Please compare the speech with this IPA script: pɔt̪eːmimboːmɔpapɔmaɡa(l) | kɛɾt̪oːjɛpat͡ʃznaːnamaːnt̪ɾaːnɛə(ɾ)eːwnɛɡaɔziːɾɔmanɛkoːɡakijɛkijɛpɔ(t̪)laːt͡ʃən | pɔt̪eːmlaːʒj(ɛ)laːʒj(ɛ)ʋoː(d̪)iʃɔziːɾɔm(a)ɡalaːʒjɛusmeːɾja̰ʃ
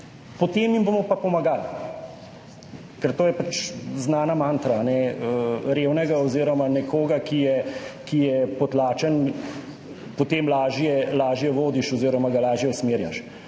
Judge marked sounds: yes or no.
yes, yes, yes, yes, yes, yes, yes

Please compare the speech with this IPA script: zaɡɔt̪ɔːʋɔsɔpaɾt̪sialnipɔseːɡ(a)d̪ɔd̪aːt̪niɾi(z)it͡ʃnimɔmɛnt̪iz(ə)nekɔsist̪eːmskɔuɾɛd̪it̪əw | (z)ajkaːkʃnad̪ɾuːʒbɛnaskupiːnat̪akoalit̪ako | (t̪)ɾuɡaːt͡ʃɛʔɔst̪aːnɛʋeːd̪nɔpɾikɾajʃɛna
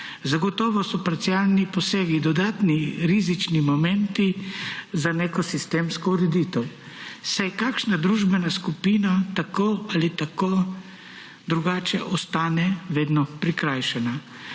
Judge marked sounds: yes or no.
no, yes, no, no, no

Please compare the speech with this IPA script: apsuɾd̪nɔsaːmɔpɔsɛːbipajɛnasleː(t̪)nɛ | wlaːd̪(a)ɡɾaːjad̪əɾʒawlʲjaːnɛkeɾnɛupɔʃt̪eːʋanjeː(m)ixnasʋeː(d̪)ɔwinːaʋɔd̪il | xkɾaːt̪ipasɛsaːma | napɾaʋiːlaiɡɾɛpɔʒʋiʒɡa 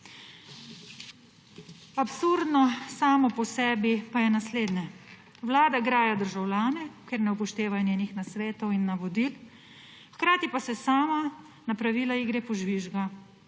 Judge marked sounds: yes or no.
no, yes, no, no

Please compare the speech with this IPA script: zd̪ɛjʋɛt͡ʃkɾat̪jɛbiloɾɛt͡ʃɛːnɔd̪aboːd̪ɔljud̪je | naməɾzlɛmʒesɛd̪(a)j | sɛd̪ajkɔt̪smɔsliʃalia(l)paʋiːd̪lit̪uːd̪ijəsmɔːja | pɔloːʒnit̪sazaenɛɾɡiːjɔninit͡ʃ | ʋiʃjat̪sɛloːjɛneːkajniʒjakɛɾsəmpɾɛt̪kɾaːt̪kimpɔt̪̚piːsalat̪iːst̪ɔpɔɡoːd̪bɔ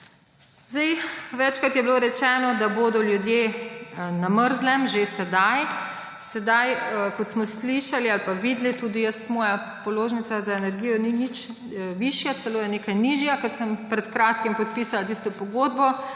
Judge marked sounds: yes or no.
yes, yes

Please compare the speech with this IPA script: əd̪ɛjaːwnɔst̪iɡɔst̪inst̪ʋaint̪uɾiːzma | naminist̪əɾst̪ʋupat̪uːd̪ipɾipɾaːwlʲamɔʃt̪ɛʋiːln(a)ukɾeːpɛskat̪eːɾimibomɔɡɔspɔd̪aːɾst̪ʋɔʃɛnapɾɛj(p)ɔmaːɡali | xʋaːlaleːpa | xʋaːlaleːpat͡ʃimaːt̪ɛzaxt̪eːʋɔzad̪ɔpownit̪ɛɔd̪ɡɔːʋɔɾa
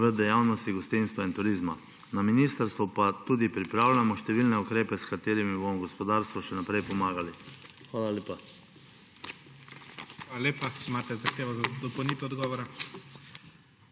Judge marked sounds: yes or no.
no, yes

